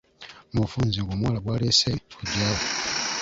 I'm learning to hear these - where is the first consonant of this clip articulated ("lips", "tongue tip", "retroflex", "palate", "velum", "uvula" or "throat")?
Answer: lips